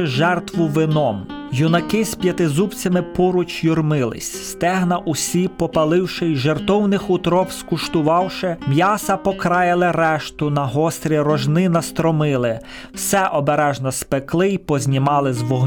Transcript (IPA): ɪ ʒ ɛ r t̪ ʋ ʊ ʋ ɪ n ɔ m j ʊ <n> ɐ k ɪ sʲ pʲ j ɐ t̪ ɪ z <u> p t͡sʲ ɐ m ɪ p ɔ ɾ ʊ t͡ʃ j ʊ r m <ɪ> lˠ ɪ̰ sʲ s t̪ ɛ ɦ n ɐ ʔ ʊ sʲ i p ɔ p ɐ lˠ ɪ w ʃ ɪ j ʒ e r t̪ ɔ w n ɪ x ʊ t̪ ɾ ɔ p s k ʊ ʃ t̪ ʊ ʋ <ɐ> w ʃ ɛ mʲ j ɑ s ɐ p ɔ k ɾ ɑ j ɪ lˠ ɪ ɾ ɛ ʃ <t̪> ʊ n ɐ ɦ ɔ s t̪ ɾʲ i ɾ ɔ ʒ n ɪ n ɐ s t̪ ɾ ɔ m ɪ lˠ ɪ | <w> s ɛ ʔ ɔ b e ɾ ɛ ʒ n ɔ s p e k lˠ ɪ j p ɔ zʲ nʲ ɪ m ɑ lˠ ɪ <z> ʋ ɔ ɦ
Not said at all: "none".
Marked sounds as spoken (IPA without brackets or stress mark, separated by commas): n, u, ɪ, ɑ, t̪, w, z